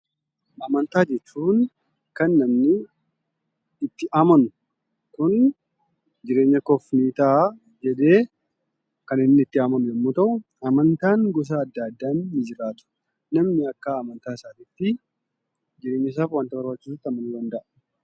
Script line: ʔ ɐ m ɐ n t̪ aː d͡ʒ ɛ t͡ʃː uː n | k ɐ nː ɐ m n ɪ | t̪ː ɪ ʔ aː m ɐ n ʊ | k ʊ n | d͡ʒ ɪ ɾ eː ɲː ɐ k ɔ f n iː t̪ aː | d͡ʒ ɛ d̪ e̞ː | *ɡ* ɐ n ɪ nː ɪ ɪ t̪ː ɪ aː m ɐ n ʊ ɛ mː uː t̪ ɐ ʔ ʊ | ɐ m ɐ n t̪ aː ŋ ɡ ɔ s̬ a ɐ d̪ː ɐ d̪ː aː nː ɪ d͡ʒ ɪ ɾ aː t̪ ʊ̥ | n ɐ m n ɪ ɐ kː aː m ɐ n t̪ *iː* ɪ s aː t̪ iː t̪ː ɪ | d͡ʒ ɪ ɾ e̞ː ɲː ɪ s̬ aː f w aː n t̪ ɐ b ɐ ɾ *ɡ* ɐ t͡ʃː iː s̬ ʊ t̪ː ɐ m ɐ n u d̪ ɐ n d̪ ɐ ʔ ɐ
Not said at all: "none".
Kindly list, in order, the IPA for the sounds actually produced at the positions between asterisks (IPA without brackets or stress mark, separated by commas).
k, aː, b